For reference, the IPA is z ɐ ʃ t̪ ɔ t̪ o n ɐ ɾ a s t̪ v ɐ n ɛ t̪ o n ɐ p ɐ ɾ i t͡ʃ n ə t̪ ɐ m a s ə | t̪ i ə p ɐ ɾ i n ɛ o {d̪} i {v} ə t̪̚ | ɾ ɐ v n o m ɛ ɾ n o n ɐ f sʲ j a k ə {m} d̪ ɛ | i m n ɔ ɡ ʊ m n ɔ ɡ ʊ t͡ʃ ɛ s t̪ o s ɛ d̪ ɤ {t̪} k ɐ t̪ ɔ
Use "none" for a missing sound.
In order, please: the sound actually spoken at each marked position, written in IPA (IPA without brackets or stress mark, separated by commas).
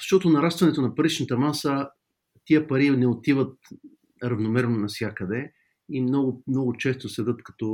t̪, v, none, t̪